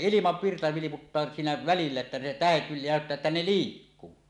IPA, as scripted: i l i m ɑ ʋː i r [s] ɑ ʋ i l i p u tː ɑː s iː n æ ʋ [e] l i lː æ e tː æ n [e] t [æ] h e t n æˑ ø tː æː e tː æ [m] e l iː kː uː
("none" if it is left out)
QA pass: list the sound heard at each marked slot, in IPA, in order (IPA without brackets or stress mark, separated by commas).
t, æ, e, æ, n